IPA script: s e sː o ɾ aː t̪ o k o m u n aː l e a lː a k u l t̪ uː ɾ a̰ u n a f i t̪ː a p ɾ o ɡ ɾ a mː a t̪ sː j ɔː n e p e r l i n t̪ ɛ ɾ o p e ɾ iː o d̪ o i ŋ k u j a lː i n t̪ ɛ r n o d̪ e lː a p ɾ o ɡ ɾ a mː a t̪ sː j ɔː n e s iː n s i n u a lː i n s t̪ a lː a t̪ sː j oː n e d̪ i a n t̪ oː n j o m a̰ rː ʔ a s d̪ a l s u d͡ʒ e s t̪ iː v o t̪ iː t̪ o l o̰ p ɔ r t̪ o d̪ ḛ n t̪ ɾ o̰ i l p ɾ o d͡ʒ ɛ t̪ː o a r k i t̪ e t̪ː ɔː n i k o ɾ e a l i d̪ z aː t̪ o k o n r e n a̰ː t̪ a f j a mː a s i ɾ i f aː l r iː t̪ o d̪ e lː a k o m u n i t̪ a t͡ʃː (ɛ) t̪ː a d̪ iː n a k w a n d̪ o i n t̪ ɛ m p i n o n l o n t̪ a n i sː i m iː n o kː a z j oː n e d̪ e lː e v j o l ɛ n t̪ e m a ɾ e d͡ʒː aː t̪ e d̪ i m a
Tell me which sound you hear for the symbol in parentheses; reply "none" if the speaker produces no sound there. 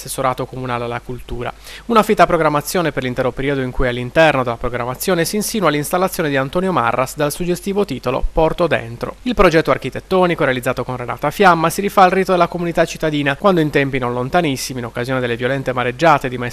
i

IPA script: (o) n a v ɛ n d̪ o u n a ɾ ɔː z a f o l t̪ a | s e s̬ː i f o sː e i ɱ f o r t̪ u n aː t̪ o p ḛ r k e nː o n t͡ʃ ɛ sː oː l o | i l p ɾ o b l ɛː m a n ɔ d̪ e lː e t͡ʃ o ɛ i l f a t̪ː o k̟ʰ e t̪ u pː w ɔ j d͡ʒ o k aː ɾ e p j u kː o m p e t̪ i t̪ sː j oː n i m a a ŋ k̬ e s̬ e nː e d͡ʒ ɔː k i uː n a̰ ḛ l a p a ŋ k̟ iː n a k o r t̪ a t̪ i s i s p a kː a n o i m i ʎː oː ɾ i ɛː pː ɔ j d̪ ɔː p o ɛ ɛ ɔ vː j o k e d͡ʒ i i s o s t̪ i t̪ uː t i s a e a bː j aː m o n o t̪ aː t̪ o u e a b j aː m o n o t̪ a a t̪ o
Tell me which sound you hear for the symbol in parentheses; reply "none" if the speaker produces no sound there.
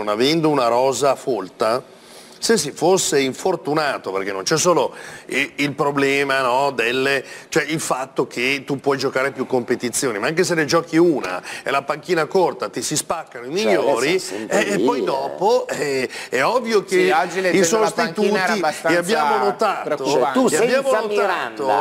o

